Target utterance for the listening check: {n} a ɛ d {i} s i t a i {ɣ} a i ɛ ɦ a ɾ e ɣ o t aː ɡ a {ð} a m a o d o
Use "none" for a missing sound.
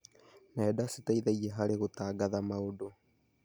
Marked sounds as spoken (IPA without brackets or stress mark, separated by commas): n, a, ð, ð